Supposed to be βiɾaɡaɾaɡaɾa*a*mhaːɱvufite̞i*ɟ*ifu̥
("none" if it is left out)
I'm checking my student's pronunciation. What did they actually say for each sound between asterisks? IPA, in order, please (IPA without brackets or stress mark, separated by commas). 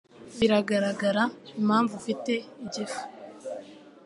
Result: i, ɟ